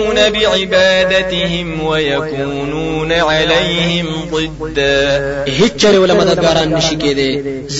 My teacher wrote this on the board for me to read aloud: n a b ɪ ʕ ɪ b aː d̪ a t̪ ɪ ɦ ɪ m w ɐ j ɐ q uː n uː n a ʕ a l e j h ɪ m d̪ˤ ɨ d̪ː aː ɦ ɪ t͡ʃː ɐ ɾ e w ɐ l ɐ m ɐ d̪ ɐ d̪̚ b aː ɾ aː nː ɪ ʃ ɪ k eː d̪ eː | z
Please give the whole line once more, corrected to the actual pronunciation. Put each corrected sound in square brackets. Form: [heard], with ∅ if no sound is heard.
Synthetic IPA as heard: n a b ɪ ʕ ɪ b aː d̪ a t̪ ɪ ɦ ɪ m w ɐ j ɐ [k] uː n uː n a ʕ a l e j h ɪ m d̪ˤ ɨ d̪ː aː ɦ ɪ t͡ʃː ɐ ɾ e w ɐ l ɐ m ɐ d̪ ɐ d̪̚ [ɡ] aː ɾ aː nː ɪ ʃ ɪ k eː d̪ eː | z